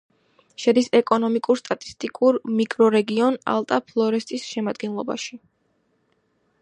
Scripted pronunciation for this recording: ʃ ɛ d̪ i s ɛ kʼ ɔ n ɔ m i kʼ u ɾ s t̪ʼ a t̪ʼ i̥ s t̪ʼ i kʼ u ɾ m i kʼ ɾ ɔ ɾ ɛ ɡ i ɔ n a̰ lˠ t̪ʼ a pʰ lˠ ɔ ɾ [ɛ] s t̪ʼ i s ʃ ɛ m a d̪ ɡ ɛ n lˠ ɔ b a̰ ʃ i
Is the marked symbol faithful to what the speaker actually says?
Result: yes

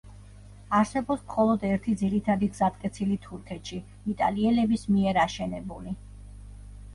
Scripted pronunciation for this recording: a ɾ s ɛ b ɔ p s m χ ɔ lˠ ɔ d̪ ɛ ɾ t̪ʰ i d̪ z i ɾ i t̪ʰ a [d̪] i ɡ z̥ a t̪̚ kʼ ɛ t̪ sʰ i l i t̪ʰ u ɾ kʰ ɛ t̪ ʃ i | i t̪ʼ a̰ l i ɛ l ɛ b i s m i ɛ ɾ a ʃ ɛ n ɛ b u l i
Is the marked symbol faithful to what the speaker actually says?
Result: yes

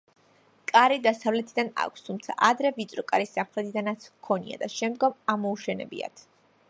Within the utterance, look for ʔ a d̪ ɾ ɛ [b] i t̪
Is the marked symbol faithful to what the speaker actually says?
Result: no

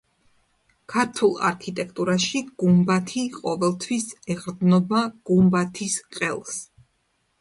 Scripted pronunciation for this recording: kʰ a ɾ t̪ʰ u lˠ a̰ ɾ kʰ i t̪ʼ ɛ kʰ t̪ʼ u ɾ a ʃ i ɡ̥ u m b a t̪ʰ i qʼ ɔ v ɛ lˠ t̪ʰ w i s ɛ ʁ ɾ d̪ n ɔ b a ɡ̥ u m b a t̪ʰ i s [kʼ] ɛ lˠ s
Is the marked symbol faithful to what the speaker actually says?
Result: no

